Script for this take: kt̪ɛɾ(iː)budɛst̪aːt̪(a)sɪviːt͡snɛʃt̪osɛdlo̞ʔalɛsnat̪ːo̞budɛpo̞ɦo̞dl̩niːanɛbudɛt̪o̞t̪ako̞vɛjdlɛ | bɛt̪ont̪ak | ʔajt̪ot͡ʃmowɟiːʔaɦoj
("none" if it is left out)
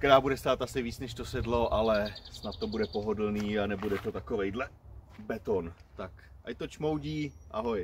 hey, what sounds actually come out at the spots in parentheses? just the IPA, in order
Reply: aː, a

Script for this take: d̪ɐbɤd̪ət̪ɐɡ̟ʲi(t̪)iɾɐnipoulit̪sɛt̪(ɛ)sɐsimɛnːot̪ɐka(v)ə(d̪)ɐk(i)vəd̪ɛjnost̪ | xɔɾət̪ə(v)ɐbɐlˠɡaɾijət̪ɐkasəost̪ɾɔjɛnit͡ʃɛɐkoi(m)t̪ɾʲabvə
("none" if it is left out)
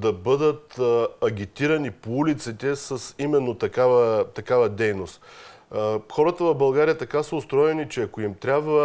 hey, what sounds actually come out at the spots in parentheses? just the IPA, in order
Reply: t̪, ɛ, v, t̪, a, v, m

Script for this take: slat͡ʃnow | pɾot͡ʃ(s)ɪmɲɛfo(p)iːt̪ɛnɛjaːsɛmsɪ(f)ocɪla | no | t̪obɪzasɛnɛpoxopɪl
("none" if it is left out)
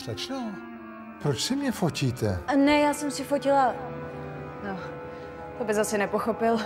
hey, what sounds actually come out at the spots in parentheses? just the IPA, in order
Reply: s, c, f

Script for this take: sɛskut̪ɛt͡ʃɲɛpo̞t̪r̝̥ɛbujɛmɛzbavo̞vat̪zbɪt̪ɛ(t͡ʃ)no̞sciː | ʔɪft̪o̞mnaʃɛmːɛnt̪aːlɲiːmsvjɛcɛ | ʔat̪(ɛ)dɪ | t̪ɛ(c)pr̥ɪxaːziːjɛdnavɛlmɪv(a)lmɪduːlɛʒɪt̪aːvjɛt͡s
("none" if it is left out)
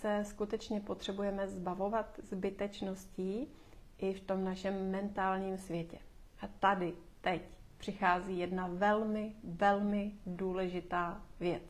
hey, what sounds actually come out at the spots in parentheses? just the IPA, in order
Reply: t͡ʃ, a, c, ɛ

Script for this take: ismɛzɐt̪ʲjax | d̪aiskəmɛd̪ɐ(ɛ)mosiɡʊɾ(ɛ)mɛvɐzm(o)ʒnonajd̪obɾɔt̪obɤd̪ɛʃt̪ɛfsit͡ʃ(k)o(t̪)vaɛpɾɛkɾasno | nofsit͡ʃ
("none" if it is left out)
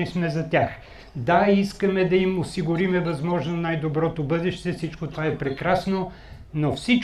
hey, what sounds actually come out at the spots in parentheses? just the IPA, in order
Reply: i, i, ɔ, k, t̪

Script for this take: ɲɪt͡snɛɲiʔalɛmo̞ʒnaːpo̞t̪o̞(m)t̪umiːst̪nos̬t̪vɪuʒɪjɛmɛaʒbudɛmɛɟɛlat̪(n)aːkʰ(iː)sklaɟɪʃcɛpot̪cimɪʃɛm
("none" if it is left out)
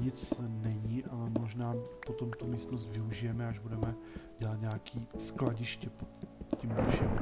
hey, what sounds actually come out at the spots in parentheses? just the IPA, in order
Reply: m, ɲ, iː

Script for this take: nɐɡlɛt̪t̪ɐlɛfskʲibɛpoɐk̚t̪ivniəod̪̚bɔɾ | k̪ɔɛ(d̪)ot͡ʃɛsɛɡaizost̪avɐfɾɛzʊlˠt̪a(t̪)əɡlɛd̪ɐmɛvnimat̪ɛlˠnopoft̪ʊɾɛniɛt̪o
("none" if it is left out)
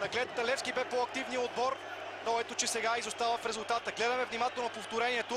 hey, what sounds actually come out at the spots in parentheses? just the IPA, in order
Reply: t̪, t̪

